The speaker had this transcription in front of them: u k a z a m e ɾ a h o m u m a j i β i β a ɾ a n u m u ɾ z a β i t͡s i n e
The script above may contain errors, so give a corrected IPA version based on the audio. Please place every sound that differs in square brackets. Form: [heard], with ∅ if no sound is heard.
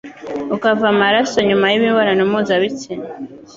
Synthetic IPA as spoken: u k a [v] a m [a] ɾ a [s] o [ɲ] u m a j i β i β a ɾ a n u m u [∅] z a β i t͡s i n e